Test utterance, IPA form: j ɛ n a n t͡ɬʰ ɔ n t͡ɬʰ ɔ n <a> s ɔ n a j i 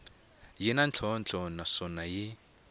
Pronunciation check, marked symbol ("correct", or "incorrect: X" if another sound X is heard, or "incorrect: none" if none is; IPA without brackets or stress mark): correct